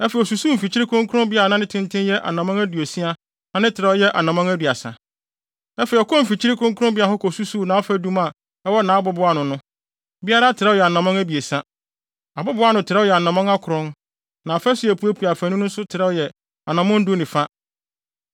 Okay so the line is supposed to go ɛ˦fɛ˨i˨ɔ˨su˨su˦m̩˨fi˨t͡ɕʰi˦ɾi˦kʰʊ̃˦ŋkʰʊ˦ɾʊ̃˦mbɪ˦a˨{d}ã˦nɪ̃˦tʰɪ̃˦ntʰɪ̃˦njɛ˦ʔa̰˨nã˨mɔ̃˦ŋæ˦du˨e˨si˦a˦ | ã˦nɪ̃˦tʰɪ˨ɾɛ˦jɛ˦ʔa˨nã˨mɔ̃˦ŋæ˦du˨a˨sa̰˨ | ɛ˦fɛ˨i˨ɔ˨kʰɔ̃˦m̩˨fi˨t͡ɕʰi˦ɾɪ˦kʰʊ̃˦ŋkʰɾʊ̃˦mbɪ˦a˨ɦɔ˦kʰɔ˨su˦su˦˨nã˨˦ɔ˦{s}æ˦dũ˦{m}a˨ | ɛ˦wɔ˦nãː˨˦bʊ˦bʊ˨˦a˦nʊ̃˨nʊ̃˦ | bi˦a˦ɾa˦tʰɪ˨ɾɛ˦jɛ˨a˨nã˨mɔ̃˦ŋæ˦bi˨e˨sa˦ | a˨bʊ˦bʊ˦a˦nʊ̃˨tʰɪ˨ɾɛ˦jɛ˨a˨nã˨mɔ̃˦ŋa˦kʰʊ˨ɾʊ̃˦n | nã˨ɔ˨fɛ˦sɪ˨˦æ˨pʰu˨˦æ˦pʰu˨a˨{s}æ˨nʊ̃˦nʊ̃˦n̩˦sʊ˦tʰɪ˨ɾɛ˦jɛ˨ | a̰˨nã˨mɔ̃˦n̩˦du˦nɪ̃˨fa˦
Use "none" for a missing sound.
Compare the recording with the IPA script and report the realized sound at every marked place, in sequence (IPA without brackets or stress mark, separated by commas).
n, f, m, f